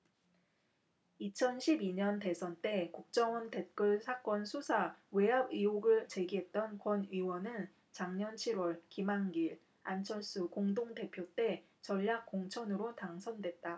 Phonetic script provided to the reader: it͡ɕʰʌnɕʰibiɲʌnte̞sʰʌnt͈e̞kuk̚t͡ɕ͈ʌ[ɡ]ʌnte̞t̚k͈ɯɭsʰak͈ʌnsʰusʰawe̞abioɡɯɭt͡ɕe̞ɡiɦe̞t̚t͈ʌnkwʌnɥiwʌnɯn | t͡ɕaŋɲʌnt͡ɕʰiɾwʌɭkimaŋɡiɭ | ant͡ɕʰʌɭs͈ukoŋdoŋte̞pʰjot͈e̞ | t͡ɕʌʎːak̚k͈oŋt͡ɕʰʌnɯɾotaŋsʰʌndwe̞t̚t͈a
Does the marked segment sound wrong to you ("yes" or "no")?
yes